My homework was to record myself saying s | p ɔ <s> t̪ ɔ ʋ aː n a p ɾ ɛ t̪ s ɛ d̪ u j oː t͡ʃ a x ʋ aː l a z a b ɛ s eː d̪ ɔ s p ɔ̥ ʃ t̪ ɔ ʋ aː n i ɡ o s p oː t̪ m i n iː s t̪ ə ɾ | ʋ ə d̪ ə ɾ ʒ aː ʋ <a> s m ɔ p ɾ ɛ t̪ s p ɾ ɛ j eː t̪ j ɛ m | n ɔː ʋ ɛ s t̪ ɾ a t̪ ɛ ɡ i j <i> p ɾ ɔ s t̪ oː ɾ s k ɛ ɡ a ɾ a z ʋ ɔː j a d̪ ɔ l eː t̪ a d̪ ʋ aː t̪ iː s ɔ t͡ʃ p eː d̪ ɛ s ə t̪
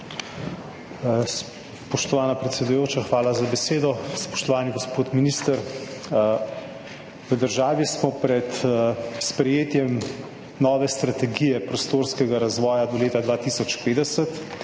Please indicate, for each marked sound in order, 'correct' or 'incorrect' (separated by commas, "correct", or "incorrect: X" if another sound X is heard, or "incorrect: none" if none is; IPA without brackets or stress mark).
incorrect: ʃ, incorrect: i, incorrect: ɛ